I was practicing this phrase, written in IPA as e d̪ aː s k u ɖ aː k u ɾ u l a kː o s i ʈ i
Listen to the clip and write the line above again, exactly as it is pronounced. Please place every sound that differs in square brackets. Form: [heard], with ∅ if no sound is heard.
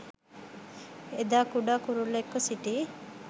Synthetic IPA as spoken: e d̪ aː [∅] k u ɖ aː k u ɾ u l [e] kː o s i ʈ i